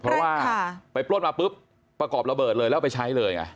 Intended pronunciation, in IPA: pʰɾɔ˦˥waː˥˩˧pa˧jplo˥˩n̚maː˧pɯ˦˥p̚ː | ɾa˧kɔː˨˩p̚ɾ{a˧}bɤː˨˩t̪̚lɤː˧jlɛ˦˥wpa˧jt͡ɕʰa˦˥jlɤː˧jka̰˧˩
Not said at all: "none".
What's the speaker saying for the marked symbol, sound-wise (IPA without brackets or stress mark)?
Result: a˧